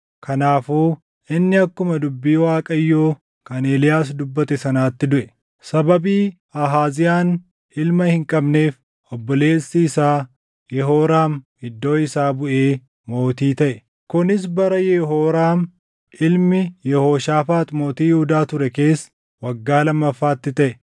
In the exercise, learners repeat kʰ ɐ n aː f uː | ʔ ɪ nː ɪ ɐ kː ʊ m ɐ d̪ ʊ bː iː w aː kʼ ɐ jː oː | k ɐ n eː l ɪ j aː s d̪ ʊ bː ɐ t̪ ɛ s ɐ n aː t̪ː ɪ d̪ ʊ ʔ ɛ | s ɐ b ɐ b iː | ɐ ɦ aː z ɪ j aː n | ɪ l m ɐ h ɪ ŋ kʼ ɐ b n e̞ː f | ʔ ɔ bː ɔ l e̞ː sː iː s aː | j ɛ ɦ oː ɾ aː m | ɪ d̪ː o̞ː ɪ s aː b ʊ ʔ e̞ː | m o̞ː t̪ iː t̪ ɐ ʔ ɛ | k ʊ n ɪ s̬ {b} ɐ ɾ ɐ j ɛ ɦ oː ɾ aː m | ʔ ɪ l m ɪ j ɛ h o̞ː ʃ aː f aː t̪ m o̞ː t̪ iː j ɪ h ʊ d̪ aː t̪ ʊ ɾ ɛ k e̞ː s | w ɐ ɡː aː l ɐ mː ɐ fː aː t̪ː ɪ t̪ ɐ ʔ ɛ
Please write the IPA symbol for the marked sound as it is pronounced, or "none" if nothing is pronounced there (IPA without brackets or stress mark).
b